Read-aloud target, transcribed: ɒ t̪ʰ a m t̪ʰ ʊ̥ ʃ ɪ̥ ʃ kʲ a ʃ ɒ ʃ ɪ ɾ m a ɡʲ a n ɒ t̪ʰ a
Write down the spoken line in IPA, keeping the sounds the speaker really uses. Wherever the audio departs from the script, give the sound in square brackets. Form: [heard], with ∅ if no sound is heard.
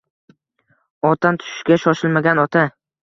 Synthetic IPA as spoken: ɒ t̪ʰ a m t̪ʰ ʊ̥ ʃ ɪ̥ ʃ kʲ a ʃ ɒ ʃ ɪ [l] m a ɡʲ a n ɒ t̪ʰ a

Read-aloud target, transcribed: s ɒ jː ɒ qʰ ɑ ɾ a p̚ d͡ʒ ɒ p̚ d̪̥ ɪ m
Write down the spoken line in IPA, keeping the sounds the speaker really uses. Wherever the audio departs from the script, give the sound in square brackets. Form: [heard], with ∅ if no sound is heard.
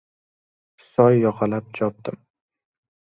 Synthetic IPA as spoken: s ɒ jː ɒ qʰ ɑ [l] a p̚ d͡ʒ ɒ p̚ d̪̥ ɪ m

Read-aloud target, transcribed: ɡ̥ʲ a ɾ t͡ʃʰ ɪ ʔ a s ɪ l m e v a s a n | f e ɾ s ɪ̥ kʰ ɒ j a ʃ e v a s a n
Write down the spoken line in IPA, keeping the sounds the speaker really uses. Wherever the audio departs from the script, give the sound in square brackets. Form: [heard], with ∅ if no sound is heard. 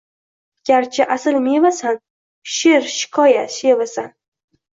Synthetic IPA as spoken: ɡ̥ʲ a ɾ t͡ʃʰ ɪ ʔ a s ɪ l m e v a s a n | [ʃ] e ɾ [ʃ] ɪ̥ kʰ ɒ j a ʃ e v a s a n

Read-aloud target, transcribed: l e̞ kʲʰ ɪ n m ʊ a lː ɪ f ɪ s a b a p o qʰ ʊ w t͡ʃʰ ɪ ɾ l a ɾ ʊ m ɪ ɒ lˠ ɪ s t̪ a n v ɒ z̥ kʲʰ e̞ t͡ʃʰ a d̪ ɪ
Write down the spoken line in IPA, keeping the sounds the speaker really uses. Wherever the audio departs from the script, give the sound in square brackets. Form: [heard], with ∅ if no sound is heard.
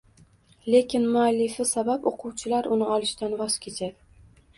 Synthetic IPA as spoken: l e̞ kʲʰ ɪ n m ʊ a lː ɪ f ɪ s a b a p o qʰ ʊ w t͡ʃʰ ɪ [∅] l a ɾ ʊ [n] ɪ ɒ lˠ ɪ [ʃ] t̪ a n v ɒ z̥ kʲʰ e̞ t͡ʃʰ a d̪ ɪ

